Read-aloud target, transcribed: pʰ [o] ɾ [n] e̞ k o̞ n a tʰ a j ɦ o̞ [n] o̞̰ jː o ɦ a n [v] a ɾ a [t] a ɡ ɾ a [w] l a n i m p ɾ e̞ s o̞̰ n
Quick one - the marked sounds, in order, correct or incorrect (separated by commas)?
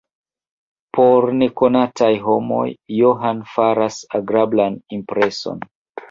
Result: correct, correct, incorrect, incorrect, incorrect, incorrect